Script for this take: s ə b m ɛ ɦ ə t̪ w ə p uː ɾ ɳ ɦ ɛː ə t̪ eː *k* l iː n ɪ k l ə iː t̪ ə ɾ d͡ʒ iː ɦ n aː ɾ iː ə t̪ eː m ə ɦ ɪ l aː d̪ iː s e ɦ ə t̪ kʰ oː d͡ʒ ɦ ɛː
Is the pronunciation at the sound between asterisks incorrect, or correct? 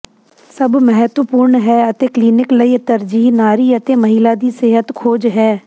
correct